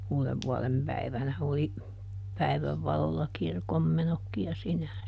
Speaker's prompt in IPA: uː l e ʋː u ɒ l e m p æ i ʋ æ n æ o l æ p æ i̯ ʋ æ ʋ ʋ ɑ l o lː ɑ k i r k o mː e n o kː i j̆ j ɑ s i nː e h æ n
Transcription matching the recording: uː l e ʋː u ɔ l e m p æ i ʋ æ n æ o l i p æ i̯ ʋ æ ʋ ʋ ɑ l o lː ɑ k i r k o mː e n o kː i j̆ j ɑ s i nː e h æ n